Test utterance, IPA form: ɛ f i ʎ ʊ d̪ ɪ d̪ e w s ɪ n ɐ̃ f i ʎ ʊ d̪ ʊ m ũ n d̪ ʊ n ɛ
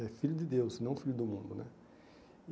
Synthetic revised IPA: ɛ f i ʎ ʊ d̪ ɪ d̪ e w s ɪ n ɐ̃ f i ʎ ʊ d̪ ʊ m ũ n d̪ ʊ n ɛ